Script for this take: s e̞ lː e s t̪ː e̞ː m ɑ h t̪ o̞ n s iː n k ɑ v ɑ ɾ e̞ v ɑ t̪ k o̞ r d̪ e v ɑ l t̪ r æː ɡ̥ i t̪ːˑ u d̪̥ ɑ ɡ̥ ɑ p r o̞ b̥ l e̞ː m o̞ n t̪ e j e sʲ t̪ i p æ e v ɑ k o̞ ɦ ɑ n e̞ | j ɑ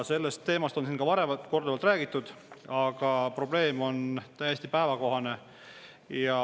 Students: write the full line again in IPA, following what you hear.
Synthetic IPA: s e̞ lː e s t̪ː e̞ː m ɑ s t̪ o̞ n s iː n k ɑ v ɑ ɾ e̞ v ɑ t̪ k o̞ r d̪ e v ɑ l t̪ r æː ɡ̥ i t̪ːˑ u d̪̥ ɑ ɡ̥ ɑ p r o̞ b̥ l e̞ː m o̞ n t̪ æ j e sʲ t̪ i p æ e v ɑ k o̞ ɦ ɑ n e̞ | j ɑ